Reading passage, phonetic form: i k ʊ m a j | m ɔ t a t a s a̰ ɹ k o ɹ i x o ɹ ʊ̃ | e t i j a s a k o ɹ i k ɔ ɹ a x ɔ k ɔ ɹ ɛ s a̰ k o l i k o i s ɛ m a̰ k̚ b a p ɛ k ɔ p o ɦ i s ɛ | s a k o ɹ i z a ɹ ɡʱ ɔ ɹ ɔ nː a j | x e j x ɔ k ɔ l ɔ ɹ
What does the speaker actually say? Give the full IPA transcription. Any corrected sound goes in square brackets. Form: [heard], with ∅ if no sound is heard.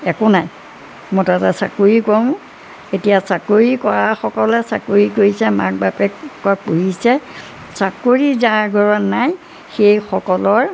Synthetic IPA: [ɛ] k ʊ [n] a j | m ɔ t a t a s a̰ [∅] k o ɹ i [k] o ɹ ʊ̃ | e t i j a s a k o ɹ i k ɔ ɹ a x ɔ k ɔ [l] ɛ s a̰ k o [ɹ] i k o i s ɛ m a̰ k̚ b a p ɛ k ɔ p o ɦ i s ɛ | s a k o ɹ i z a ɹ ɡʱ ɔ ɹ ɔ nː a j | x e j x ɔ k ɔ l ɔ ɹ